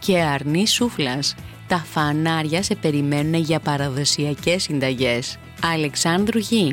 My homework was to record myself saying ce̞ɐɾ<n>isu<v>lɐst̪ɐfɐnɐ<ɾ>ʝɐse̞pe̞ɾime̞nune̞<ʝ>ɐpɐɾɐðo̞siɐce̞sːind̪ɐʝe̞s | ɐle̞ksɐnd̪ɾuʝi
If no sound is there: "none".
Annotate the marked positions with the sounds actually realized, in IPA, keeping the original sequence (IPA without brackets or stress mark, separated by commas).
n, f, ɾ, ʝ